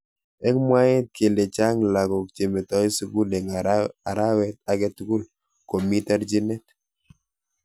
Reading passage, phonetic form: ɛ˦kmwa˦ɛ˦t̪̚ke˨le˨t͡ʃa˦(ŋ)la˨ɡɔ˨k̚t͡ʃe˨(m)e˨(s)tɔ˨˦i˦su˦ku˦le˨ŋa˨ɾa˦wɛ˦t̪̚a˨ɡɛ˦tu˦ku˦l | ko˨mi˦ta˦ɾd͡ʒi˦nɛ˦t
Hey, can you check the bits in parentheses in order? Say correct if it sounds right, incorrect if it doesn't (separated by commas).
correct, correct, incorrect